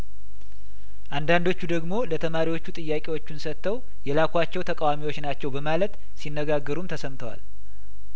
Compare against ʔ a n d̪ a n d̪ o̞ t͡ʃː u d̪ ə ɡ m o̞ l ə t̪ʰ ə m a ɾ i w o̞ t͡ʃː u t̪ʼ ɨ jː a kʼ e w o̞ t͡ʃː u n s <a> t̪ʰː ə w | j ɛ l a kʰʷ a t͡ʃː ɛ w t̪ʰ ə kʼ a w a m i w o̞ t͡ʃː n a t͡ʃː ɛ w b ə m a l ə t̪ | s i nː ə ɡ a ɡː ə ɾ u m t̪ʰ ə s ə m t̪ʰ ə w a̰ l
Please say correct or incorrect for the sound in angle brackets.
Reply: incorrect